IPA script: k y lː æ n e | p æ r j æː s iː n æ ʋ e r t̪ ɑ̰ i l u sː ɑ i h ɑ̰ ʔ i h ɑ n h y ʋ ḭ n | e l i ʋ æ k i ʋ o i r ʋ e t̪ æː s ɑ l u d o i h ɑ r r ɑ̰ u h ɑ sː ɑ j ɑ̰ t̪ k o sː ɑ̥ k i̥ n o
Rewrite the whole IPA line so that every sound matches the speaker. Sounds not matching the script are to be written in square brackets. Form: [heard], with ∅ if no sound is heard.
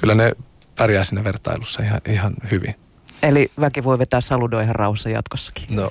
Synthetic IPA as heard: k y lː æ n e | p æ r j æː s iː n æ ʋ e r t̪ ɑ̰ i l u sː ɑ i h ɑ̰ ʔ i h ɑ n h y ʋ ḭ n | e l i ʋ æ k i ʋ o i [∅] ʋ e t̪ æː s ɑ l u d o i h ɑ r r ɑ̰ u h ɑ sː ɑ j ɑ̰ t̪ k o sː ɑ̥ k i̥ n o